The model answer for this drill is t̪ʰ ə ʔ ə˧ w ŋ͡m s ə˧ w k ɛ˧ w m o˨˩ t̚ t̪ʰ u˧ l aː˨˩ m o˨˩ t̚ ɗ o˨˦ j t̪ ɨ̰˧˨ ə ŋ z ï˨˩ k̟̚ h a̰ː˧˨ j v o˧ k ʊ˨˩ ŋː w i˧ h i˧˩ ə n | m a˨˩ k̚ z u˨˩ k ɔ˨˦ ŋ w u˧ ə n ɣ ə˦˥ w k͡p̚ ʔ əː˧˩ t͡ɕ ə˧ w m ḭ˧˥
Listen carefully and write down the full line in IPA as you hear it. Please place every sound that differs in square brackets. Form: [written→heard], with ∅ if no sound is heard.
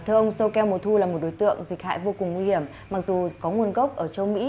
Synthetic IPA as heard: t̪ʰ ə ʔ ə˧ w ŋ͡m s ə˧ w k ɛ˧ w m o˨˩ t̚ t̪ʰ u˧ l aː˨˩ m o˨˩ t̚ ɗ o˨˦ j t̪ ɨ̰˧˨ ə ŋ z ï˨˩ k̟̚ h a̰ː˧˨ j v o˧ k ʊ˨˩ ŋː w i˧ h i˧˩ ə [n→m] | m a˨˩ k̚ z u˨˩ k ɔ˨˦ ŋ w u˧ ə n ɣ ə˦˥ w k͡p̚ ʔ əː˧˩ t͡ɕ ə˧ w m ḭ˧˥

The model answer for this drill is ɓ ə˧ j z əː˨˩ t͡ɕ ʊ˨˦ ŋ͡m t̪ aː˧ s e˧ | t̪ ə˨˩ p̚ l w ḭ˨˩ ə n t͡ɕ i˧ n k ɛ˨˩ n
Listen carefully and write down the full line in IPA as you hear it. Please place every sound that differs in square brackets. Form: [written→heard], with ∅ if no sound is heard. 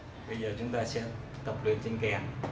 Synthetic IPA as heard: ɓ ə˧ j z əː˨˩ t͡ɕ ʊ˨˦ ŋ͡m t̪ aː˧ s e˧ | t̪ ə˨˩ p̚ l w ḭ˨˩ ə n t͡ɕ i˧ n k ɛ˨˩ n

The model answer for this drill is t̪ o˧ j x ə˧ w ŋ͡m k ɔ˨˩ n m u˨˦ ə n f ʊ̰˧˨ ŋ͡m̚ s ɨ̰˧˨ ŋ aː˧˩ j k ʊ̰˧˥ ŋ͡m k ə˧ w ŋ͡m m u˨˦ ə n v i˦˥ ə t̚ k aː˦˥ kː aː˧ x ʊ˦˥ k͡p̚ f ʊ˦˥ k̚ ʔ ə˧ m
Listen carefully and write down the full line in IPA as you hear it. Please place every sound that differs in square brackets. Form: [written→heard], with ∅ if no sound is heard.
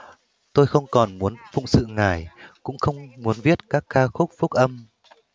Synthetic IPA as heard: t̪ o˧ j x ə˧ w ŋ͡m k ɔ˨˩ n m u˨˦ ə n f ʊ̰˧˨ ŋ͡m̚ s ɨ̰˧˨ ŋ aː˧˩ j k ʊ̰˧˥ ŋ͡m [k→x] ə˧ w ŋ͡m m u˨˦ ə n v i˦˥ ə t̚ k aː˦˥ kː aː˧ x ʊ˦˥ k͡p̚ f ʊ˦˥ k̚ ʔ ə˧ m

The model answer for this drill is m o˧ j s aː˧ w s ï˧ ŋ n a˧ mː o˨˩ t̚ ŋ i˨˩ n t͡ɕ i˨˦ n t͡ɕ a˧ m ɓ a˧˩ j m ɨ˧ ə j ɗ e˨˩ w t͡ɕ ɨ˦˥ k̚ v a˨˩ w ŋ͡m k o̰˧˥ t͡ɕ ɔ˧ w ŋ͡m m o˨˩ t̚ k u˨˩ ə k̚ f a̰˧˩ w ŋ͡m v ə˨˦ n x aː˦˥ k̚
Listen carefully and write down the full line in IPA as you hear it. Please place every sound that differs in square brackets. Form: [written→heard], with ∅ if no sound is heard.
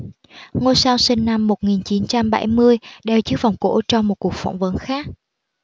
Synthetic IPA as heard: [m→ŋ] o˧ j s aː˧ w s ï˧ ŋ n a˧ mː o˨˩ t̚ ŋ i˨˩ n t͡ɕ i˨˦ n t͡ɕ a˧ m ɓ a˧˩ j m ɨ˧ ə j ɗ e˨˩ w t͡ɕ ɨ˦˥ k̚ v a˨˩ w ŋ͡m k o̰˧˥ t͡ɕ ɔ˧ w ŋ͡m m o˨˩ t̚ k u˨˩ ə k̚ f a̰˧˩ w ŋ͡m v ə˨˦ n x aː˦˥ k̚

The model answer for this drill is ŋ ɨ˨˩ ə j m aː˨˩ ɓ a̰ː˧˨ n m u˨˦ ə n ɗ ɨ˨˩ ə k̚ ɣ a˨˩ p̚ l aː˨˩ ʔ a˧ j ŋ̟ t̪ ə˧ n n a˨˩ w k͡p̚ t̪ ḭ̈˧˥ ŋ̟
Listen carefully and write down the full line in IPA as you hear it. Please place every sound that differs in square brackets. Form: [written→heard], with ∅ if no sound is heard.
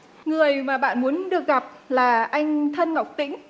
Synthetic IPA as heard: ŋ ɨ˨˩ ə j m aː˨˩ ɓ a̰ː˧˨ n m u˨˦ ə n ɗ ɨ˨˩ ə k̚ ɣ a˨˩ p̚ l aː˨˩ ʔ a˧ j ŋ̟ [t̪→t̪ʰ] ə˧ n [n→ŋ] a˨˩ w k͡p̚ t̪ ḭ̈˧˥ ŋ̟

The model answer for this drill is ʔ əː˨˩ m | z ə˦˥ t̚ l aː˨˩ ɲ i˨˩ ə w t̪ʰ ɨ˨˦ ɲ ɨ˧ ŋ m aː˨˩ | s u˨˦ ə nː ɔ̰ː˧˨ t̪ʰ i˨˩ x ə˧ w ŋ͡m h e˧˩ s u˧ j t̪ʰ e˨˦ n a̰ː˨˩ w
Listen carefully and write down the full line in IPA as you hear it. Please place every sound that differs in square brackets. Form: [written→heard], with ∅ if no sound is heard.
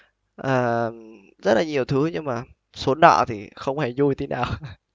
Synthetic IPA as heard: ʔ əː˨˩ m | z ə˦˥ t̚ l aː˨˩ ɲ i˨˩ ə w t̪ʰ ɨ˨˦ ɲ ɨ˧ ŋ m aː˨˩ | s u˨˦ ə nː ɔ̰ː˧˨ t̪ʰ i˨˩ x ə˧ w ŋ͡m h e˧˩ [s→z] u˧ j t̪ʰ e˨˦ n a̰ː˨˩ w

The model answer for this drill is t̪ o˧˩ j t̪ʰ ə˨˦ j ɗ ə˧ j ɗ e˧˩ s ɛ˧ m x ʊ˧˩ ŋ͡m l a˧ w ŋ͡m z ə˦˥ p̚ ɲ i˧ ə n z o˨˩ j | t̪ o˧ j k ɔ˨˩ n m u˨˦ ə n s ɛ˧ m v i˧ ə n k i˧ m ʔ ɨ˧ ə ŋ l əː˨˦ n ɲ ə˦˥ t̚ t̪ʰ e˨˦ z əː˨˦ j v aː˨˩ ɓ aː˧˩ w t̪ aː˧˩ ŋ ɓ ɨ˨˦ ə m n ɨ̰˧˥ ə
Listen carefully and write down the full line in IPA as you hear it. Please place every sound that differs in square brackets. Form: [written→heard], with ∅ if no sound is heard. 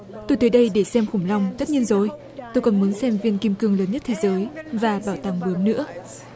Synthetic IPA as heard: t̪ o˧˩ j [t̪ʰ→t̪] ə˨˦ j ɗ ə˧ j ɗ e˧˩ s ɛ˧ m x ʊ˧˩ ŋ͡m l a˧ w ŋ͡m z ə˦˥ [p̚→t̚] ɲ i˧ ə n z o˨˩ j | t̪ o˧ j k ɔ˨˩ n m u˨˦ ə n s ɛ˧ m v i˧ ə n k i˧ m [ʔ→k] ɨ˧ ə ŋ l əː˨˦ n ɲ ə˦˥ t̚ t̪ʰ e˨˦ z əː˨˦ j v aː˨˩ ɓ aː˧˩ w t̪ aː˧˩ ŋ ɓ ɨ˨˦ ə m n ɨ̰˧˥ ə

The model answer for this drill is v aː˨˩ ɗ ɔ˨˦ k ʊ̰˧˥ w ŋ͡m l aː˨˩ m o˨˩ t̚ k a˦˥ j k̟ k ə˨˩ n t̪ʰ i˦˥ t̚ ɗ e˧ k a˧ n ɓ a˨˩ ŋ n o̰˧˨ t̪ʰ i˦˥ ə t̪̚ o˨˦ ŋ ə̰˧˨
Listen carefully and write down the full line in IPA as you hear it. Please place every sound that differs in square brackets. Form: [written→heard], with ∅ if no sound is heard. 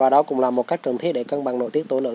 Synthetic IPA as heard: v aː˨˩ ɗ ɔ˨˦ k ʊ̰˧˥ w ŋ͡m l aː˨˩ m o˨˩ t̚ k a˦˥ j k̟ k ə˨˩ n t̪ʰ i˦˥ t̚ ɗ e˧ k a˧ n ɓ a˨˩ ŋ n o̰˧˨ [t̪ʰ→t̪] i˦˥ ə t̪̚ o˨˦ [ŋ→n] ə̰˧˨

